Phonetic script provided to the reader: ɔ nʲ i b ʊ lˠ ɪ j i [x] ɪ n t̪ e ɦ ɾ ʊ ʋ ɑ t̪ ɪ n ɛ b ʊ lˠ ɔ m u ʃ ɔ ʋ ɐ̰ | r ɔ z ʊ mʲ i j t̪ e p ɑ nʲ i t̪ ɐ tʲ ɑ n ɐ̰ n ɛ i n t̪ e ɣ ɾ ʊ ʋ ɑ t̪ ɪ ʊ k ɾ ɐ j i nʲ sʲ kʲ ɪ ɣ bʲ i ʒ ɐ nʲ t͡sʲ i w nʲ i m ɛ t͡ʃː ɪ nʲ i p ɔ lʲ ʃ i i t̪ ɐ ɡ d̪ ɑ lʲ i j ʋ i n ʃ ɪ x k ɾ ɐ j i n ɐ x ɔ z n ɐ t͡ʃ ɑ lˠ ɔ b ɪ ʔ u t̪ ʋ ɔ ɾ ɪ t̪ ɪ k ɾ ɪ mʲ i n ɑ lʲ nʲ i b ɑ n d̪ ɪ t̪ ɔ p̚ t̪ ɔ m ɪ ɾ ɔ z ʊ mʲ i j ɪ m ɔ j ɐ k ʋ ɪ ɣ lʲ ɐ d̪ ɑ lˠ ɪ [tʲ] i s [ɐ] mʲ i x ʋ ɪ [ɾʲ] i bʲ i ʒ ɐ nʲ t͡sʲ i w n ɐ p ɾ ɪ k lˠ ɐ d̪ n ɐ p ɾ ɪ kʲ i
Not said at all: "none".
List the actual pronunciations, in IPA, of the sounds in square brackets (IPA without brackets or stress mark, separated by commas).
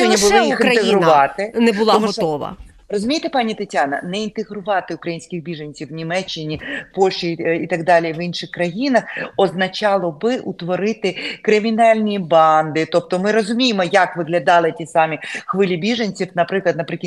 x, tʲ, ɑ, lʲ